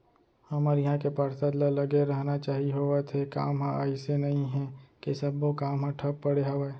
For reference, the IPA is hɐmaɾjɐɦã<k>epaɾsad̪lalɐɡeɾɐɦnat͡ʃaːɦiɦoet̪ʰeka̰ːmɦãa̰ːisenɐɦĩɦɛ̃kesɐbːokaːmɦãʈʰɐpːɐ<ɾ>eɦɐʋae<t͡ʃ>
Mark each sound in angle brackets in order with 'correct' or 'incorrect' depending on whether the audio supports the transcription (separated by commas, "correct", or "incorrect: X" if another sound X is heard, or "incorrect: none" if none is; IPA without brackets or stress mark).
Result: correct, incorrect: ɽ, incorrect: none